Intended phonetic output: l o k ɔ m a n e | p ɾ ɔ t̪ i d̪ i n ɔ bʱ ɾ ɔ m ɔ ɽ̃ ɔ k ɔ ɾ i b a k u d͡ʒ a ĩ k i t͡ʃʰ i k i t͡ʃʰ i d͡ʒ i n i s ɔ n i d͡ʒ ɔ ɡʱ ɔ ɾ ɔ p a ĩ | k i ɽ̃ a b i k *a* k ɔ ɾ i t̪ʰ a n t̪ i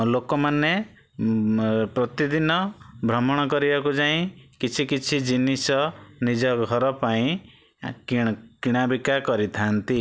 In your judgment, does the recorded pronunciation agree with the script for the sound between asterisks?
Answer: yes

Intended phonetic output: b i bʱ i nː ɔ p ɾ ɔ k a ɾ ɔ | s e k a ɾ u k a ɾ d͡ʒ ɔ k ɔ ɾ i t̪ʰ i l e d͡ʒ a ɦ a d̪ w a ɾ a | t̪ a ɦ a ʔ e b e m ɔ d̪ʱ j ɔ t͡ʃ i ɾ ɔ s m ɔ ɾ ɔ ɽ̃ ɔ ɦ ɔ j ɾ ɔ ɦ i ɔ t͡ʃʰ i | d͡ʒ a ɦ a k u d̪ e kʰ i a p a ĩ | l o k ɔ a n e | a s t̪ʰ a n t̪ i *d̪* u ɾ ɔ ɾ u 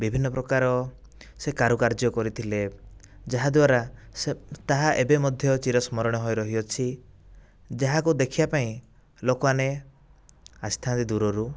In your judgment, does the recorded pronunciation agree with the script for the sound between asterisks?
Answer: yes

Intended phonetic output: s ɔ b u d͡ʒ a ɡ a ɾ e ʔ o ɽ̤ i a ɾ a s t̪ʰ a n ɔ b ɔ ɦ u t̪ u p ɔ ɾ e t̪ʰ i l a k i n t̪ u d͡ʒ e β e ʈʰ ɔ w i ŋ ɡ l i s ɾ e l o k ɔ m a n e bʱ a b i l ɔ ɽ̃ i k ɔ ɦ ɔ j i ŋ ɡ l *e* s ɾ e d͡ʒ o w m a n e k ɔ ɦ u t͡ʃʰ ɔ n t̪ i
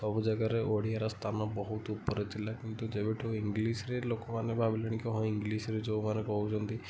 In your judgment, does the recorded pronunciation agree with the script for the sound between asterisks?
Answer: no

